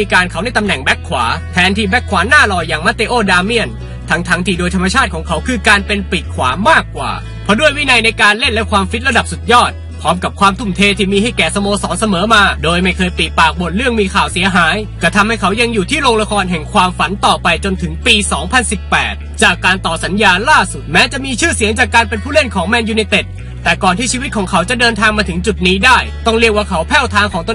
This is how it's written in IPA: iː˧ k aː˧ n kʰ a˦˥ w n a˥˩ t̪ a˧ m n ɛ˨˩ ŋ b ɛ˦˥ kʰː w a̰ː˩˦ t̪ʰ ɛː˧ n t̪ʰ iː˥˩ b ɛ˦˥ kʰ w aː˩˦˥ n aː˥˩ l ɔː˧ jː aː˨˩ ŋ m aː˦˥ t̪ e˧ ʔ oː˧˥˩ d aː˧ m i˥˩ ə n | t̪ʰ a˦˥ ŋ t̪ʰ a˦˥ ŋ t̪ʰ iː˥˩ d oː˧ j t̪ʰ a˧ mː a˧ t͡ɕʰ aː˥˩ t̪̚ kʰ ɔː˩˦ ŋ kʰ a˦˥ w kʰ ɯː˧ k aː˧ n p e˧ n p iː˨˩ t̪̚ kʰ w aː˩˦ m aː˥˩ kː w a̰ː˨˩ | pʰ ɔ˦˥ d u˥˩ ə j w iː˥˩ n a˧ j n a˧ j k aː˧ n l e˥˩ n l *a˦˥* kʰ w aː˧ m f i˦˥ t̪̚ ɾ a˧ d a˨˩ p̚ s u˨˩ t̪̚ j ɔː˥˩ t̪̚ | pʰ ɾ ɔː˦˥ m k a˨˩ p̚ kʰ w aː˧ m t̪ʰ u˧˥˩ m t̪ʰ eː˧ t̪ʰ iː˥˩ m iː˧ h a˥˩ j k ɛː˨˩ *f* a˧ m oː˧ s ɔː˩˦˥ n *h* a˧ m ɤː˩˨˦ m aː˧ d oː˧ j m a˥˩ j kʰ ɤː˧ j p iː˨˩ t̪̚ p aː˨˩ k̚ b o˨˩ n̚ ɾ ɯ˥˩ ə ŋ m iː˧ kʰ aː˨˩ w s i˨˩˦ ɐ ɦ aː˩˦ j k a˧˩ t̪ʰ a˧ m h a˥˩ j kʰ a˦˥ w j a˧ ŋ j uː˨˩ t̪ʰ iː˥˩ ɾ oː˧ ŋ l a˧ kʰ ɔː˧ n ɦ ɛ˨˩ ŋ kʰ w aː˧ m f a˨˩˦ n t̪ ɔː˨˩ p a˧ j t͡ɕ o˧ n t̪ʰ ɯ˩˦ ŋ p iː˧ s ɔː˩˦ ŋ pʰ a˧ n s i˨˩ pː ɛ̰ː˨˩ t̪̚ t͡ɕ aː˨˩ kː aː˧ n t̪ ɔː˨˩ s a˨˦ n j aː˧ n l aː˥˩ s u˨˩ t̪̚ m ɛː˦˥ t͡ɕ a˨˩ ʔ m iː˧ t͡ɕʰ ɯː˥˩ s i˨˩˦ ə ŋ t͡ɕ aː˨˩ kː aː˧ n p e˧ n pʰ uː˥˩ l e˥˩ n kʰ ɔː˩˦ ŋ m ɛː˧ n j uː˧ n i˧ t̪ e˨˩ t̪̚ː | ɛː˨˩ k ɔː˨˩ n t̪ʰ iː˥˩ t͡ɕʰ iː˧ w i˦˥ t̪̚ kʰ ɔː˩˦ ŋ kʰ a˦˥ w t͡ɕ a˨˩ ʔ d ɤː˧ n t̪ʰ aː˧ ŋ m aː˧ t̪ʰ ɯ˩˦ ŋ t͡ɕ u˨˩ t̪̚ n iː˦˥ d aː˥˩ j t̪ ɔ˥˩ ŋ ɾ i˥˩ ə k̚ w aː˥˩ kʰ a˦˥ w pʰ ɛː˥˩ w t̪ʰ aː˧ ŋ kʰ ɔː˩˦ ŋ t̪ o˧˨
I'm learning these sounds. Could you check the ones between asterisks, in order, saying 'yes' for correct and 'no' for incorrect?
no, no, no

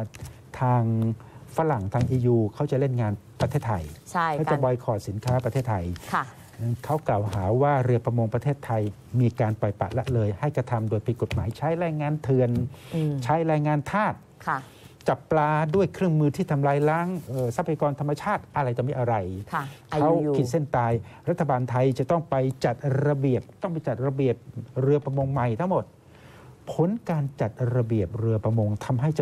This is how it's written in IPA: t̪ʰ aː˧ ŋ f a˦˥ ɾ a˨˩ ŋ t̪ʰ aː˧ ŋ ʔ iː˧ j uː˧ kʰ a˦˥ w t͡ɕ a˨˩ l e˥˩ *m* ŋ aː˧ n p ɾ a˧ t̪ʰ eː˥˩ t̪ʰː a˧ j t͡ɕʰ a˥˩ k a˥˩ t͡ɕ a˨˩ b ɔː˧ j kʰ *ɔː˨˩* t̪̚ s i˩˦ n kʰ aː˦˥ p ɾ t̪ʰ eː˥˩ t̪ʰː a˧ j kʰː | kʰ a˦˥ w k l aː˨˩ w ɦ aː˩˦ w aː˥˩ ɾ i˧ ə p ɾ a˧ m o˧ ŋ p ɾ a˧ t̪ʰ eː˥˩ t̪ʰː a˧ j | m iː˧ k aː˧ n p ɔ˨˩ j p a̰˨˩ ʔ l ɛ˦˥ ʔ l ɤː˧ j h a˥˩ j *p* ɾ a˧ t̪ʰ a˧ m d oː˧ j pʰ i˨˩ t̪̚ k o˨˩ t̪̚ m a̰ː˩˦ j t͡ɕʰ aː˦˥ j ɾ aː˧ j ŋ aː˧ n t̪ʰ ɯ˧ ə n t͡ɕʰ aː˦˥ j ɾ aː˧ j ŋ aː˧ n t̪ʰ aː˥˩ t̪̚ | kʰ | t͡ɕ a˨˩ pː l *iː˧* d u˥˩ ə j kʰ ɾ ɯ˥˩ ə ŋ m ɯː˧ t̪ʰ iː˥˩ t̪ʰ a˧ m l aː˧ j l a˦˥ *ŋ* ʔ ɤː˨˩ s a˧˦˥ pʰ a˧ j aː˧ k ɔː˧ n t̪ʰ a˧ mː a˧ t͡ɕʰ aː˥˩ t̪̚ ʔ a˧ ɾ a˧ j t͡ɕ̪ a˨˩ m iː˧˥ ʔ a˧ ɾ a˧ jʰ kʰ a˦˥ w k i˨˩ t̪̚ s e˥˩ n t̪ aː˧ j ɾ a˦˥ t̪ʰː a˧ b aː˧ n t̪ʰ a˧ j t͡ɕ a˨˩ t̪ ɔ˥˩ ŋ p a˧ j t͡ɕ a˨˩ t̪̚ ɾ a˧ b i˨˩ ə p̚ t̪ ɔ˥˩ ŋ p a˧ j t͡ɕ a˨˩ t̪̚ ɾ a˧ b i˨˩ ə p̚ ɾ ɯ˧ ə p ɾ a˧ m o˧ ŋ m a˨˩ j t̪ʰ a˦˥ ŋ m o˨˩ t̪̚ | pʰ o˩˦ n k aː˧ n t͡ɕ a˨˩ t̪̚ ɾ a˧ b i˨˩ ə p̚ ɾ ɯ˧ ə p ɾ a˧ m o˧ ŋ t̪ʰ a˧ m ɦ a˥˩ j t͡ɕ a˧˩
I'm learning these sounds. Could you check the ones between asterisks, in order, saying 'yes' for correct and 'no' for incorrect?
no, yes, no, no, yes

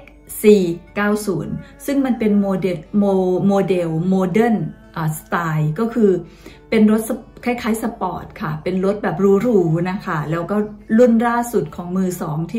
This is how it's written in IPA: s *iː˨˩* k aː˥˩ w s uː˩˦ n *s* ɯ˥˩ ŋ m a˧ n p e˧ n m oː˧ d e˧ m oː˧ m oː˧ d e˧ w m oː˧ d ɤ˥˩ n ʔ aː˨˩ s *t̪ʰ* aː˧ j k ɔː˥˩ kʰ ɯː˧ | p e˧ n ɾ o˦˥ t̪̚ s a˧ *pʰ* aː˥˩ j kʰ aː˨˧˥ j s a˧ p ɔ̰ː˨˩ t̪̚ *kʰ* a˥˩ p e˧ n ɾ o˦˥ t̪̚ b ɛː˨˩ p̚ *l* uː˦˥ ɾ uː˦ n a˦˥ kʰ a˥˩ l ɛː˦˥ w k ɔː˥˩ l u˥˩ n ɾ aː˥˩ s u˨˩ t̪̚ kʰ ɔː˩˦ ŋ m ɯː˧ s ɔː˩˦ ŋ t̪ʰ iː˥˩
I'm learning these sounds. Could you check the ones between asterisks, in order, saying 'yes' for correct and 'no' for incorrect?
yes, yes, no, no, yes, no

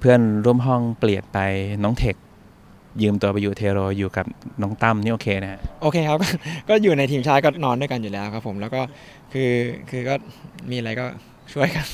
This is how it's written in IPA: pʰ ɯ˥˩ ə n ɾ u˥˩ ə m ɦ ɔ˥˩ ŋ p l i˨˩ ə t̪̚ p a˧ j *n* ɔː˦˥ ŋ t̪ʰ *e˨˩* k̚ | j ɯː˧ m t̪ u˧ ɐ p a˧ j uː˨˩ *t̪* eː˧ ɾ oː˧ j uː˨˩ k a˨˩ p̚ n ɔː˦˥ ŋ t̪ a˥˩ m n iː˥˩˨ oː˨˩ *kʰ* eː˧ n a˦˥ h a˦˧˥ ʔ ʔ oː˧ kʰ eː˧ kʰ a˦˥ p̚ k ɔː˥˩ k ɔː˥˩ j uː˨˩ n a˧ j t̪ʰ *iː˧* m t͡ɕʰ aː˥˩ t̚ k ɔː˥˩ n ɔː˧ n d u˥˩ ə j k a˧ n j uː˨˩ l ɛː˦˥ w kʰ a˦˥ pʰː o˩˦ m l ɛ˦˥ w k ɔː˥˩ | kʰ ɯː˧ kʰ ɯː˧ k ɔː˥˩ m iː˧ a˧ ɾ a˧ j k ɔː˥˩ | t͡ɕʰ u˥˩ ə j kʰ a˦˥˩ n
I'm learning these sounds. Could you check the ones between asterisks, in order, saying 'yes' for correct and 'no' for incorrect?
yes, yes, no, yes, yes

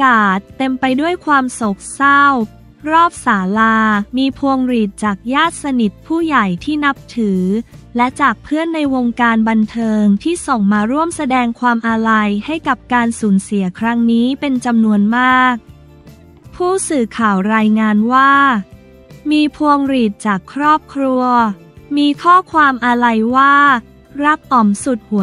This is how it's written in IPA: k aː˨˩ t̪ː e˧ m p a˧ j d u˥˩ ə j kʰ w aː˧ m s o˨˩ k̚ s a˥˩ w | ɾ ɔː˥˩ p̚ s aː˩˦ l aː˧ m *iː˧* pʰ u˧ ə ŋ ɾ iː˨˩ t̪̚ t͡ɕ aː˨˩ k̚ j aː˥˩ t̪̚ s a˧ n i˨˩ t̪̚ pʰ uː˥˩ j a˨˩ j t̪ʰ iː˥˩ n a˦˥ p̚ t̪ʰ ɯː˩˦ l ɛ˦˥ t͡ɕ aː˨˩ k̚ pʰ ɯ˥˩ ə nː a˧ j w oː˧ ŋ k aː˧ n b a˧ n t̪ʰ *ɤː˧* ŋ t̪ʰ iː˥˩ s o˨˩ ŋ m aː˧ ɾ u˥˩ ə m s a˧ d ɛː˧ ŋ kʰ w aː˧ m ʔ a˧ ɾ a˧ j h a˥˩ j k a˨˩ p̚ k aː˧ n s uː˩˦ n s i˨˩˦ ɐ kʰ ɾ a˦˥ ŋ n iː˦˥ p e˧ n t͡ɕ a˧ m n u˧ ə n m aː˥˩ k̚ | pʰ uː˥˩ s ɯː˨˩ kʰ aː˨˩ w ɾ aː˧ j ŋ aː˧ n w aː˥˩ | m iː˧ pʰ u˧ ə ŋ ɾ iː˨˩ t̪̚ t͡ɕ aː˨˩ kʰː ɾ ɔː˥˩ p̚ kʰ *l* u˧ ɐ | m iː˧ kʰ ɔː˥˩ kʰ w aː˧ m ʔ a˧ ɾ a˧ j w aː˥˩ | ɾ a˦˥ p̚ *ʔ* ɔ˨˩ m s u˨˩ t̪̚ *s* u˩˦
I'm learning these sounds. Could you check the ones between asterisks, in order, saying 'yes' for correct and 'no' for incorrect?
yes, yes, no, yes, no

